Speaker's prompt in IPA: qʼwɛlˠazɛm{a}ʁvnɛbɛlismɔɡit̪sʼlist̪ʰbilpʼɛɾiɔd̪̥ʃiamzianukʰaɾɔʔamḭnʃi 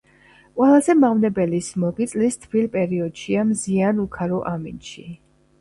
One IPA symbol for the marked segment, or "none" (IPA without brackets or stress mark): a